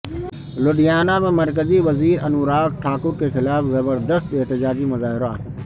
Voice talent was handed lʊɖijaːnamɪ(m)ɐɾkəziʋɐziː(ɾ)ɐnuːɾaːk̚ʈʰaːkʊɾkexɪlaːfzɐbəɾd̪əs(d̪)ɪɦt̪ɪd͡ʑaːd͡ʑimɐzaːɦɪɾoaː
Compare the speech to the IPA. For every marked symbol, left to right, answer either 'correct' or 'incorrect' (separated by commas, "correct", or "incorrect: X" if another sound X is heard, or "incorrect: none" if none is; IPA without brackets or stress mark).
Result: correct, correct, incorrect: t̪